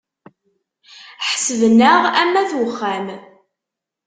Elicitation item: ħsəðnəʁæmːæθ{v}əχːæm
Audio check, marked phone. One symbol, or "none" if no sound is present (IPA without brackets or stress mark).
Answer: w